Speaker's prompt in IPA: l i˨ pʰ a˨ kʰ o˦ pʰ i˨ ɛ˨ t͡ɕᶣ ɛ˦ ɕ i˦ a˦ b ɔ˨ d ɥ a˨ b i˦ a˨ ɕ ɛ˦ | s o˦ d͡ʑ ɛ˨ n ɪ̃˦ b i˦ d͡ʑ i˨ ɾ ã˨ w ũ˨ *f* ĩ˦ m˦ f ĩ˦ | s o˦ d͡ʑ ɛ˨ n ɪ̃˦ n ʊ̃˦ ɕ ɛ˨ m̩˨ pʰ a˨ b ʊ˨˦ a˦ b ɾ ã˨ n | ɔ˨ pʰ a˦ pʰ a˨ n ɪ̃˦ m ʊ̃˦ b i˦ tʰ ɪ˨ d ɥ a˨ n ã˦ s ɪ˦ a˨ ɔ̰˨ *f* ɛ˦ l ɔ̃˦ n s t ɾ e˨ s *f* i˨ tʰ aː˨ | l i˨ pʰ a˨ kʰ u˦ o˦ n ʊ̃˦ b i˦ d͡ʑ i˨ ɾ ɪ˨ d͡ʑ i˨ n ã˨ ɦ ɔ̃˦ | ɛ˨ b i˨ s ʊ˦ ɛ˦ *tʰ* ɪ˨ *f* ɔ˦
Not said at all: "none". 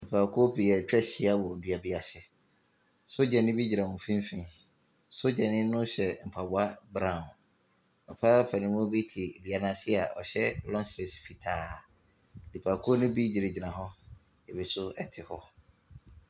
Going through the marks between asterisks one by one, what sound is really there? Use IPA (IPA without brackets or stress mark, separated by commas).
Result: f, ɕ, f, tʰ, h